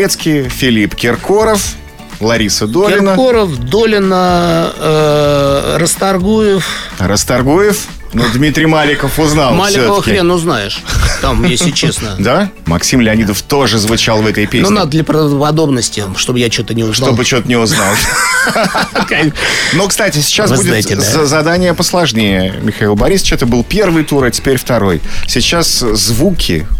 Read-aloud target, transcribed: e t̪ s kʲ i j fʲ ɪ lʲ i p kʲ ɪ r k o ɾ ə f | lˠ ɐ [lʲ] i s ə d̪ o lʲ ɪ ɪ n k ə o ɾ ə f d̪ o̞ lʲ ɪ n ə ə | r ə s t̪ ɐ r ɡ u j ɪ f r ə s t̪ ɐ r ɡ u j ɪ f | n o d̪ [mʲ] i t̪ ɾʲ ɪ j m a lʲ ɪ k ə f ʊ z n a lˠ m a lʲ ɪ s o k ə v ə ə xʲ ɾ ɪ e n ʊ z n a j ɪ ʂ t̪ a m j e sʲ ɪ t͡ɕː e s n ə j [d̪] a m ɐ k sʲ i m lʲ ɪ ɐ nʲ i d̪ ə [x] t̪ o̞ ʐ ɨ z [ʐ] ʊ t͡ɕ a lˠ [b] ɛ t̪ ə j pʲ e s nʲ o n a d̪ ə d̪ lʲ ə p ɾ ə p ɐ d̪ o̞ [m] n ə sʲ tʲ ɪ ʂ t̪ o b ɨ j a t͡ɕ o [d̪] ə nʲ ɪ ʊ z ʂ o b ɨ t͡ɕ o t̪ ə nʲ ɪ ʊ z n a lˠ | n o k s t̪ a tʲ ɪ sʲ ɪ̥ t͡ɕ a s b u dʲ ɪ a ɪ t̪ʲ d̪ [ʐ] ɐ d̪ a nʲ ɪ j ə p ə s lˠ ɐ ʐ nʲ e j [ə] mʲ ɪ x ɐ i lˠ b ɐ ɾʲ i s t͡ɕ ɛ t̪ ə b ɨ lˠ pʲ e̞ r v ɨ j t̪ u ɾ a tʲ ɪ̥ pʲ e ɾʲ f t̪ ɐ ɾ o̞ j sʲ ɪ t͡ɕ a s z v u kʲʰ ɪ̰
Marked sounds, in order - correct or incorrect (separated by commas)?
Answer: incorrect, correct, correct, incorrect, incorrect, incorrect, incorrect, incorrect, incorrect, correct